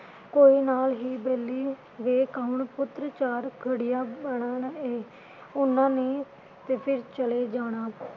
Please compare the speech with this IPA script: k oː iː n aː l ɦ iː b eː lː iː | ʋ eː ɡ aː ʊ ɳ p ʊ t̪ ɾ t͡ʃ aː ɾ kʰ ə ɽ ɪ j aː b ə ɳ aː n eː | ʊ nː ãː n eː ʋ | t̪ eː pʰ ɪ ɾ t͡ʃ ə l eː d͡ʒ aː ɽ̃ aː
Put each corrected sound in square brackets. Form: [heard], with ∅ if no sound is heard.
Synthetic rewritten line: k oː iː n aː l ɦ iː b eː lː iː | ʋ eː [k] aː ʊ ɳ p ʊ t̪ ɾ t͡ʃ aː ɾ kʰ ə ɽ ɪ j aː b ə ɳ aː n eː | ʊ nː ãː n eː [∅] | t̪ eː pʰ ɪ ɾ t͡ʃ ə l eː d͡ʒ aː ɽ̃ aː